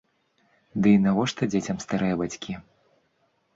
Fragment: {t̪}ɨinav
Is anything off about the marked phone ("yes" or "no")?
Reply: yes